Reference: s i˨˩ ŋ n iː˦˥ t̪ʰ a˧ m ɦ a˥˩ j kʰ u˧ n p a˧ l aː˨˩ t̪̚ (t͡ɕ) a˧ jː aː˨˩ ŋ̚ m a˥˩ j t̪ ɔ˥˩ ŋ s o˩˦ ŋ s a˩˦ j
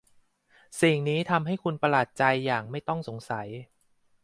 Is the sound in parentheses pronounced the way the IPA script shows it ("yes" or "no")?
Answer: yes